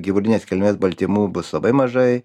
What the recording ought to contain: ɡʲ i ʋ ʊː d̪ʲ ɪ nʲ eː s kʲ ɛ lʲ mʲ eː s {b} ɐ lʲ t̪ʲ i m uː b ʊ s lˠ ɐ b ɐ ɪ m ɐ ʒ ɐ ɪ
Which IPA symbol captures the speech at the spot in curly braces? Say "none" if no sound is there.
b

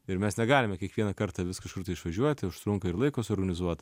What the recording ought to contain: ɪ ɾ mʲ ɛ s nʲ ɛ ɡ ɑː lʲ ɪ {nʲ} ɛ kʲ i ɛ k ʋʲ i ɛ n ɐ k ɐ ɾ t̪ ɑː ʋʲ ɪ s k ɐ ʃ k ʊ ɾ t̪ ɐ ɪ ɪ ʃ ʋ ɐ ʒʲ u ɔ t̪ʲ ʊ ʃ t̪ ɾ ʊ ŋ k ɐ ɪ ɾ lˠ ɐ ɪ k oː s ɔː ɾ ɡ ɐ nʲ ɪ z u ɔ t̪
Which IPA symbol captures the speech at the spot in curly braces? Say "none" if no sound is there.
mʲ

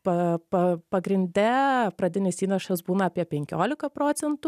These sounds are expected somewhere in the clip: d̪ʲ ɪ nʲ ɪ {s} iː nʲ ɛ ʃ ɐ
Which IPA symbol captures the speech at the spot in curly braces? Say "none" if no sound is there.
s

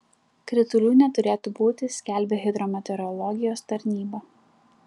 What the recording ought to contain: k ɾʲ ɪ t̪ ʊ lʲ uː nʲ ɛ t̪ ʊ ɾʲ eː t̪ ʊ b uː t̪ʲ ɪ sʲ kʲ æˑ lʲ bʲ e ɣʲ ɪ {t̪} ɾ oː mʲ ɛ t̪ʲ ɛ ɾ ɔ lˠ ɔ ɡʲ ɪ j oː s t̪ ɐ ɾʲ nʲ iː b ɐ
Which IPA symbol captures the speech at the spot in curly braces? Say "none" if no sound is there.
d̪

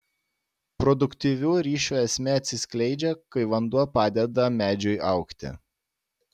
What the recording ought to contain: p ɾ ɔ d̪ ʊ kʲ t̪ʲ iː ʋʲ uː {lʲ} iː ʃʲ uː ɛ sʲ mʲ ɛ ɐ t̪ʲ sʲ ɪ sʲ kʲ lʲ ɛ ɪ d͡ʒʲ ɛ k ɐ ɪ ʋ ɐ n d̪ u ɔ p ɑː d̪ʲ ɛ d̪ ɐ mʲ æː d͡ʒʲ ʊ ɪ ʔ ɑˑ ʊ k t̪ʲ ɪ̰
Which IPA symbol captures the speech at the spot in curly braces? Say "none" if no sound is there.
ɾʲ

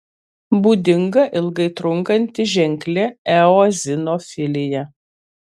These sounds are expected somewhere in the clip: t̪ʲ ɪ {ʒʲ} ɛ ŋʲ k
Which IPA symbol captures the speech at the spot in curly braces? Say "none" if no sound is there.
ʒʲ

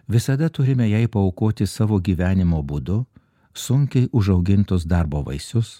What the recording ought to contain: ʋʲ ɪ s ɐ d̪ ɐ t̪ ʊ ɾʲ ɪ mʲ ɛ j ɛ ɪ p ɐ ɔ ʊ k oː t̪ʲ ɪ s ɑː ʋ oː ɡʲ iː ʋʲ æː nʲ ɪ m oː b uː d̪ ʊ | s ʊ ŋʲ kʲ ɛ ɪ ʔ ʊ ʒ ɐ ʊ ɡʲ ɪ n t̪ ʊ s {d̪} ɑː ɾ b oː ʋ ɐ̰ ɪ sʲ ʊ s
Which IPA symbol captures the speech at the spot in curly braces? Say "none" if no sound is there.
d̪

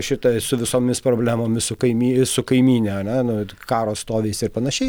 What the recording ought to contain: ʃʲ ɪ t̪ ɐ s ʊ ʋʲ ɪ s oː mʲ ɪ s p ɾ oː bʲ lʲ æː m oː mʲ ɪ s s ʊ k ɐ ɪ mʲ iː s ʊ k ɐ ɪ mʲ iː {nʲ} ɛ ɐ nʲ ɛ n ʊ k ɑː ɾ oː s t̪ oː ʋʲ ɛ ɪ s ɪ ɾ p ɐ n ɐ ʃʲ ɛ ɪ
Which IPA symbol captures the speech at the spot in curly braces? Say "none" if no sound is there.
nʲ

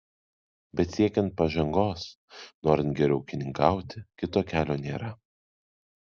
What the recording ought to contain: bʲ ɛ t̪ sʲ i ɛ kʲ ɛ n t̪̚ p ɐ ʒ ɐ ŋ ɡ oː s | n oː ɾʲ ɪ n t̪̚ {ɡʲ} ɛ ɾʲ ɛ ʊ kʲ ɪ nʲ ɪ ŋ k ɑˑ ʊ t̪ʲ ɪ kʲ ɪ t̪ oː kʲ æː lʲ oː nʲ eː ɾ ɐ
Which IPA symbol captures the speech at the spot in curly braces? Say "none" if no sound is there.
ɡʲ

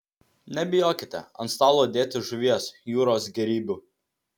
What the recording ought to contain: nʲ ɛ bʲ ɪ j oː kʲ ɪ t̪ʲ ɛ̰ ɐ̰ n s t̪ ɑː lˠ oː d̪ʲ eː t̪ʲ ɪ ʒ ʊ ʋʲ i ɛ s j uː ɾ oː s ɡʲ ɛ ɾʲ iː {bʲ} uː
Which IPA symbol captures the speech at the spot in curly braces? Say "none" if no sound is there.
bʲ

